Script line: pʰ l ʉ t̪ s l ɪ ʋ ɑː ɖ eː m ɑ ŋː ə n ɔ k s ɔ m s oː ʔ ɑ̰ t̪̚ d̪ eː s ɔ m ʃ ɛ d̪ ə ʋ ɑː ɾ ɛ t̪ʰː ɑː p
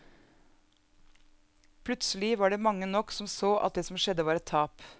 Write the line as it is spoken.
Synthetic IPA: pʰ l ʉ t̪ s l ɪ ʋ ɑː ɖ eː m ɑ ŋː ə n ɔ k s ɔ m s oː ʔ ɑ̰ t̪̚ d̪ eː s ɔ m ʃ ɛ d̪ ə ʋ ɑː ɾ ɛ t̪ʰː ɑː p